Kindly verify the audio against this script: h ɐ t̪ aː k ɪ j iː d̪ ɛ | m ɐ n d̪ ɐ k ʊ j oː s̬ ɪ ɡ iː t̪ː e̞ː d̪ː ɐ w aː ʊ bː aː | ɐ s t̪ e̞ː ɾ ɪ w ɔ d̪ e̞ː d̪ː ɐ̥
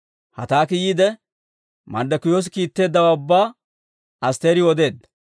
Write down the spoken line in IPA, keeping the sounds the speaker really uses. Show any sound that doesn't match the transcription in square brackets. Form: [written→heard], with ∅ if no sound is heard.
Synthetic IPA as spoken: h ɐ t̪ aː k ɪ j iː d̪ ɛ | m ɐ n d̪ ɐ k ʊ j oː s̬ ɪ [ɡ→k] iː t̪ː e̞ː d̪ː ɐ w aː ʊ bː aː | ɐ s t̪ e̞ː ɾ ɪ w ɔ d̪ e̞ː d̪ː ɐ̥

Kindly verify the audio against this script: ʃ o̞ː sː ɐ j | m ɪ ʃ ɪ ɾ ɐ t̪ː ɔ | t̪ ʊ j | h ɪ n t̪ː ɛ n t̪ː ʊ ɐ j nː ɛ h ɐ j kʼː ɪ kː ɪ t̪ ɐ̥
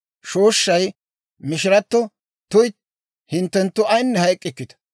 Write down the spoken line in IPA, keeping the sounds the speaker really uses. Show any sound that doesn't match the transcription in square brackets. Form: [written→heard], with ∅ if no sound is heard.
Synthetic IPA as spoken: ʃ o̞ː [sː→ʃː] ɐ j | m ɪ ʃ ɪ ɾ ɐ t̪ː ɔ | t̪ ʊ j | h ɪ n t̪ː ɛ n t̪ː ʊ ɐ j nː ɛ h ɐ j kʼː ɪ kː ɪ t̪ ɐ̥

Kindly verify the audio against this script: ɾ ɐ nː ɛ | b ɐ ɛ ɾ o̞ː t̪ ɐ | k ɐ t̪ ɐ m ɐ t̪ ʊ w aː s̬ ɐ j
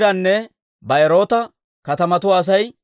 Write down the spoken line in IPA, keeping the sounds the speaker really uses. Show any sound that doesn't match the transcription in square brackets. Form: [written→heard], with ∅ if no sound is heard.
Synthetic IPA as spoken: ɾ ɐ nː ɛ | b ɐ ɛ ɾ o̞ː t̪ ɐ | k ɐ t̪ ɐ m ɐ t̪ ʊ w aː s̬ ɐ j

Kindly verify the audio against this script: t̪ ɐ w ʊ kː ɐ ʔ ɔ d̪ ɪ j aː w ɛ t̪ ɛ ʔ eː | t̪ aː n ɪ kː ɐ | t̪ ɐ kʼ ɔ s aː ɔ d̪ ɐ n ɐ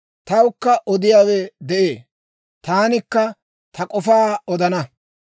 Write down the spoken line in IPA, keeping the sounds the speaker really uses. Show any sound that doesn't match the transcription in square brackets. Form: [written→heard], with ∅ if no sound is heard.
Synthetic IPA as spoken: t̪ ɐ w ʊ kː ɐ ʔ ɔ d̪ ɪ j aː w ɛ [t̪→d̪] ɛ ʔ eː | t̪ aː n ɪ kː ɐ | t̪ ɐ kʼ ɔ [s→f] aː ɔ d̪ ɐ n ɐ

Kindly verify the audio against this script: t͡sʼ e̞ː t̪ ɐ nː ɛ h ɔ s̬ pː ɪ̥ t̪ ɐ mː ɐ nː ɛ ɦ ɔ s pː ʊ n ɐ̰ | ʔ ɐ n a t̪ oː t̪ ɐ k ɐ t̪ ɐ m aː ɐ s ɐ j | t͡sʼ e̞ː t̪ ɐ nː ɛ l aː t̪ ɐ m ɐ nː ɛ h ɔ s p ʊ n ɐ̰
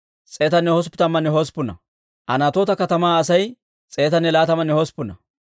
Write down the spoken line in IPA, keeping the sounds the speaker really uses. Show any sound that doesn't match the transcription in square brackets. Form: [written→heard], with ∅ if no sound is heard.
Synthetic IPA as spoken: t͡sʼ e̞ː t̪ ɐ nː ɛ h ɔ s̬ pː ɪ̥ t̪ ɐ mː ɐ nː ɛ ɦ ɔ s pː ʊ n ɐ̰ | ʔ ɐ n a t̪ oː t̪ ɐ k ɐ t̪ ɐ m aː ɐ s ɐ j | t͡sʼ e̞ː t̪ ɐ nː ɛ l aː t̪ ɐ m ɐ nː ɛ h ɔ s p ʊ n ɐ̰

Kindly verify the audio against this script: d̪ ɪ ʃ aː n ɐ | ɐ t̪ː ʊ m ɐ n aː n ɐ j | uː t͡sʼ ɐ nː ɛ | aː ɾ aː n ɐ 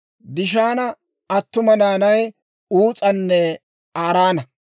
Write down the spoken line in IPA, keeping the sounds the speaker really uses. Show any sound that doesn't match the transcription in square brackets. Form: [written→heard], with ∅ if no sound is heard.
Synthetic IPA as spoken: d̪ ɪ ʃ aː n ɐ | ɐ t̪ː ʊ m ɐ n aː n ɐ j | uː t͡sʼ ɐ nː ɛ | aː ɾ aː n ɐ

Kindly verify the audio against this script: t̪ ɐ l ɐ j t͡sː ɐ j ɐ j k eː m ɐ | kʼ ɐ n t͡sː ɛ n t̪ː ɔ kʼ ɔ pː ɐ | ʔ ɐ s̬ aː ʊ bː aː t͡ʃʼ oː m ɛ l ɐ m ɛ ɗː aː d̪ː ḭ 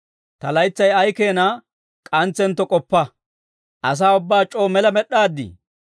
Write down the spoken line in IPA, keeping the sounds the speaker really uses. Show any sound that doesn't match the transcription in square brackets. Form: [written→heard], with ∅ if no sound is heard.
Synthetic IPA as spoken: t̪ ɐ l ɐ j t͡sː ɐ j ɐ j k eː [m→n] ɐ | kʼ ɐ n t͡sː ɛ n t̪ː ɔ kʼ ɔ pː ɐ | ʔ ɐ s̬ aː ʊ bː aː t͡ʃʼ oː m ɛ l ɐ m ɛ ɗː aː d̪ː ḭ

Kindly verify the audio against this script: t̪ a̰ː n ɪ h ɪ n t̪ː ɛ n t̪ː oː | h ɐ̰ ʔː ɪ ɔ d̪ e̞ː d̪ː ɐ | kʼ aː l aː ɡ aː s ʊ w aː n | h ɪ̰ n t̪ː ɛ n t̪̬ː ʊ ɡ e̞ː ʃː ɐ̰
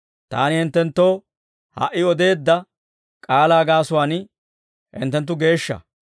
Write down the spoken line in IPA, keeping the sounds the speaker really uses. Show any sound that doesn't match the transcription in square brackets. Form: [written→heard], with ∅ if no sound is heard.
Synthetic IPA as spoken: t̪ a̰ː n ɪ h ɪ n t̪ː ɛ n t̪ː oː | h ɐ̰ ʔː ɪ ɔ d̪ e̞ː d̪ː ɐ | kʼ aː l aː ɡ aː s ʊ w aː n | h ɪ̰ n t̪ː ɛ n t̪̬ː ʊ ɡ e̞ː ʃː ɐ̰

